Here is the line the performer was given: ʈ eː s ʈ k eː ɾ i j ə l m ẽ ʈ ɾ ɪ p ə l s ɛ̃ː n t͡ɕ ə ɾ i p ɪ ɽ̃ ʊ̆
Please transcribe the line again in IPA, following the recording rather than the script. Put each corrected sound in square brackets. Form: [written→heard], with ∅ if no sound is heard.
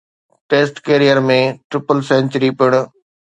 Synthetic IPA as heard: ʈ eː s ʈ k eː ɾ i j ə [l→ɾ] m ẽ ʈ ɾ ɪ p ə l s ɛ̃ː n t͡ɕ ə ɾ i p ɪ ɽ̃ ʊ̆